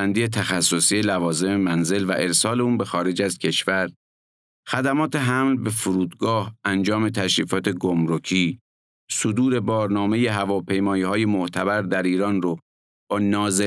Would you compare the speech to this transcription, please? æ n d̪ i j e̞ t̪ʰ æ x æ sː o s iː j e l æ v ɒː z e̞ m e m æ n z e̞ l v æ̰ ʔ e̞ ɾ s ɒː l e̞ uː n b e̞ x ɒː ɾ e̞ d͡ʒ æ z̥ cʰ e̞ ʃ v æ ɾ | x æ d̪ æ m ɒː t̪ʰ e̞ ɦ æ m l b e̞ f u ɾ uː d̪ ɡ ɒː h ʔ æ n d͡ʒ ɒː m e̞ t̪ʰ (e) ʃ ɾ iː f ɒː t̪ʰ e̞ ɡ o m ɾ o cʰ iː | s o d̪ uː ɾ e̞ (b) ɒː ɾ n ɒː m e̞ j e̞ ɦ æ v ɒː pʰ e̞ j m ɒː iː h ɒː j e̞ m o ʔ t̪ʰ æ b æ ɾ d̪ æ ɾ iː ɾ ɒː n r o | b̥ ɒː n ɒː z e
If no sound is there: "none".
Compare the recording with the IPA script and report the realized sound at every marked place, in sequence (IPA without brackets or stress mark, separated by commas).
æ, b